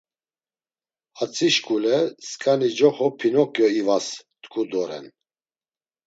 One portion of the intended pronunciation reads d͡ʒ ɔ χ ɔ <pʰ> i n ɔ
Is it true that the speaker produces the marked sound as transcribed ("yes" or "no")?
yes